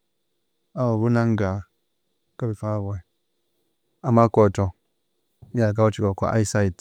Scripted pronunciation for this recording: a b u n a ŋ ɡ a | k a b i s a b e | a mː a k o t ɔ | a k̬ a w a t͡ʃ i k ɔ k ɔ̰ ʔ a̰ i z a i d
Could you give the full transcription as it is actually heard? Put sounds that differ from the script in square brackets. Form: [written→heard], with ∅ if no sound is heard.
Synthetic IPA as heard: a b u n a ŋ ɡ a | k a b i [s→f] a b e | a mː a k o t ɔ | a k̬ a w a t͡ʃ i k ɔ k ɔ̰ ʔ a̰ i [z→s] a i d